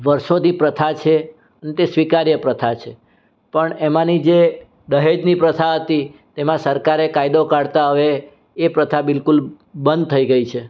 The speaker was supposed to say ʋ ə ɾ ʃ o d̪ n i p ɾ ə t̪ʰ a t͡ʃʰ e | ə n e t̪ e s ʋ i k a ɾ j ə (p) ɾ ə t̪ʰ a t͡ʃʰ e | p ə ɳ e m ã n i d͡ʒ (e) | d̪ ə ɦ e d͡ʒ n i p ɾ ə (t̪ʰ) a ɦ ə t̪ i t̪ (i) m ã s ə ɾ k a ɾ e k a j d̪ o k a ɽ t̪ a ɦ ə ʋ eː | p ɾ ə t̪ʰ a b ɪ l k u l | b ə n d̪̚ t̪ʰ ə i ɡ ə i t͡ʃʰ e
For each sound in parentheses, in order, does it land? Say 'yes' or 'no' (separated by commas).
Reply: yes, yes, yes, no